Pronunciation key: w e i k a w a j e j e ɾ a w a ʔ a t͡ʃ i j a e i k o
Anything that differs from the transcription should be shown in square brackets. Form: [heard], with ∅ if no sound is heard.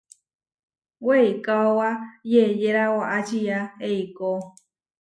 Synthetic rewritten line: w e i k a w a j e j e ɾ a w a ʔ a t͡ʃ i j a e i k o